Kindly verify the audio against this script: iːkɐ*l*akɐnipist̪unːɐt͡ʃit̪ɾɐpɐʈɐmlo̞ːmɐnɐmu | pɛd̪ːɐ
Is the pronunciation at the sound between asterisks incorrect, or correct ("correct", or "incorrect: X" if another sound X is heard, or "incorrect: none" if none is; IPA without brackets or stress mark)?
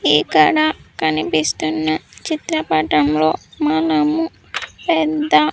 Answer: incorrect: ɽ